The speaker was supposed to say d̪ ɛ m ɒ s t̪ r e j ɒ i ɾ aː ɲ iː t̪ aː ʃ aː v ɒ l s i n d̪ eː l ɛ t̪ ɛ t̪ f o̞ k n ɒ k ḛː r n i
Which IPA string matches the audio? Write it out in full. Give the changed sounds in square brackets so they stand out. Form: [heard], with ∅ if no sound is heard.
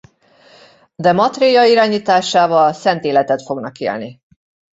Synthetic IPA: d̪ ɛ m ɒ [∅] t̪ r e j ɒ i ɾ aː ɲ iː t̪ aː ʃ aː v ɒ l s [ɛ] n [t̪] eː l ɛ t̪ ɛ t̪ f o̞ [ɡ] n ɒ k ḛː [l] n i